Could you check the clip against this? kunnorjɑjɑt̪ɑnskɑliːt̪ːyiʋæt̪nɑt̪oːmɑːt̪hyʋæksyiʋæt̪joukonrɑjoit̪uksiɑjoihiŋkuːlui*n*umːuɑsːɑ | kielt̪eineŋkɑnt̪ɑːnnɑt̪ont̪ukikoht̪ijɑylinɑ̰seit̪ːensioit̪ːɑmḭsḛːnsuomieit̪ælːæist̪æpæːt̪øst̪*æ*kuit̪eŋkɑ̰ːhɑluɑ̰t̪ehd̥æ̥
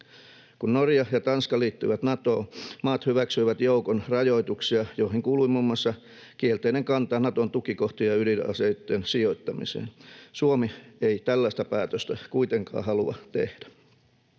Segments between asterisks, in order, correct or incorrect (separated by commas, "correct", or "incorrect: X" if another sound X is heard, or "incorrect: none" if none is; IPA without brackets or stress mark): incorrect: m, correct